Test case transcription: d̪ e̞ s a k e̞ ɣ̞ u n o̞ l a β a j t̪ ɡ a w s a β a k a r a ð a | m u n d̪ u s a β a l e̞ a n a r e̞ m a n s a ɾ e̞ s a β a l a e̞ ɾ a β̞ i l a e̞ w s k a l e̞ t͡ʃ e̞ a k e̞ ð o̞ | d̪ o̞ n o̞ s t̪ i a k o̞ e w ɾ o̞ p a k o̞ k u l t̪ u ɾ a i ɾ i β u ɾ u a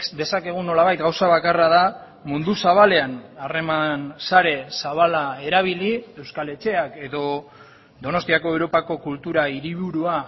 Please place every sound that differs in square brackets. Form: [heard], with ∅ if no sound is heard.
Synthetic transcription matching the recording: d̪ e̞ s a k e̞ ɣ̞ u n o̞ l a β a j t̪ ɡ a w s a β a k a r a ð a | m u n d̪ u s a β a l e̞ a n a r e̞ m a n s a ɾ e̞ s a β a l a e̞ ɾ a β̞ i l [i] e̞ w s k a l e̞ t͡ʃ e̞ a k e̞ ð o̞ | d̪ o̞ n o̞ s t̪ i a k o̞ e w ɾ o̞ p a k o̞ k u l t̪ u ɾ a i ɾ i β u ɾ u a